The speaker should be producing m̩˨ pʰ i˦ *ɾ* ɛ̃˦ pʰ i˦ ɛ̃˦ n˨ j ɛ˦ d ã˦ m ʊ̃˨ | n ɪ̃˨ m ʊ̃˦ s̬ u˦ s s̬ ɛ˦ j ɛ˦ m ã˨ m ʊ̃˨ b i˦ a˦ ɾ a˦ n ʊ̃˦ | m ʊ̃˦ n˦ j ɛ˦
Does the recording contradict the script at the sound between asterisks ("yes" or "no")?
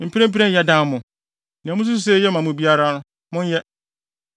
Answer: no